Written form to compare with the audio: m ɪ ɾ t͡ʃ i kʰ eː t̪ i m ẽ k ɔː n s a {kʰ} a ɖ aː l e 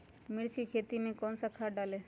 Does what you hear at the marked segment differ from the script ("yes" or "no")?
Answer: no